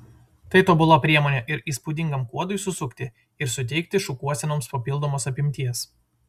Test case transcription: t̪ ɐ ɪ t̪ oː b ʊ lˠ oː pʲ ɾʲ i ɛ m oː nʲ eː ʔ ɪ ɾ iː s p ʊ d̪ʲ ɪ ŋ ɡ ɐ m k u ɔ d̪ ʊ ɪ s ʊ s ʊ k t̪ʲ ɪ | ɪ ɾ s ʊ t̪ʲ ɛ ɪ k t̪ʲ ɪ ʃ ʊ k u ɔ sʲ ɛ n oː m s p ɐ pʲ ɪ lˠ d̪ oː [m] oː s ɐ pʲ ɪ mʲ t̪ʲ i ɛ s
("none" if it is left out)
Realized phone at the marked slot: m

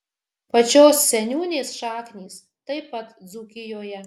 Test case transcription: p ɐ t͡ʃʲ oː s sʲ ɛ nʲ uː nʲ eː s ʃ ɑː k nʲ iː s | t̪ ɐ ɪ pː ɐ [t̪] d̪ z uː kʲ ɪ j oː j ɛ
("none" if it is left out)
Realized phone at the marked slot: t̪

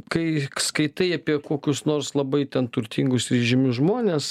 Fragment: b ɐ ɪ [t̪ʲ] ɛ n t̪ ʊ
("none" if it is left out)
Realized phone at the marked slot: t̪ʲ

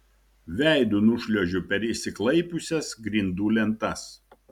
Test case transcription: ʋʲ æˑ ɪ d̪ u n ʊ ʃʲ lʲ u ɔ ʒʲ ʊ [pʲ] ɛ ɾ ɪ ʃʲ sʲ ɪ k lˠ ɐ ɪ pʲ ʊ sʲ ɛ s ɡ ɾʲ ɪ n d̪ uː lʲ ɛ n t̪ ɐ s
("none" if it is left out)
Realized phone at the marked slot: pʲ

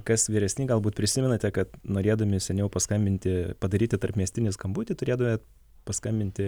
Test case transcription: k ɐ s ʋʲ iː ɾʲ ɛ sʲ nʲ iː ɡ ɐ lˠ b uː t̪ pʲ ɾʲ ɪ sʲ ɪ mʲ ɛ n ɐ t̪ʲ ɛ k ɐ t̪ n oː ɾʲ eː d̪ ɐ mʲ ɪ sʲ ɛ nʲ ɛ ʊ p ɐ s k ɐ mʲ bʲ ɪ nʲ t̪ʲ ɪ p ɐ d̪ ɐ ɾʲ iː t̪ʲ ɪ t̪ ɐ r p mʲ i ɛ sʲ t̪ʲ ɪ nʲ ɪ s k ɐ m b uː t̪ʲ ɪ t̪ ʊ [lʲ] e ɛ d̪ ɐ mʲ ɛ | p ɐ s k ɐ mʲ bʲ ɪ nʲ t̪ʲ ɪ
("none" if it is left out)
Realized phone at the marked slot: ɾʲ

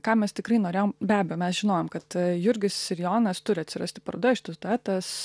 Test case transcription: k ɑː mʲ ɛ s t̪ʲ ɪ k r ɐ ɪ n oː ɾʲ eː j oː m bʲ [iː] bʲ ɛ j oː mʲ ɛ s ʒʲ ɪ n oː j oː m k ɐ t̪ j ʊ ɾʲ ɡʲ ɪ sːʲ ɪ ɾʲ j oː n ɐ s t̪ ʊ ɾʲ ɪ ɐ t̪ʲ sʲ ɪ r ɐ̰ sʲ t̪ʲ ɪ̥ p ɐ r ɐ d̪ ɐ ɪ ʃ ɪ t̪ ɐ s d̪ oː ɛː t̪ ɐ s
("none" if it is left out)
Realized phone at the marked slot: æː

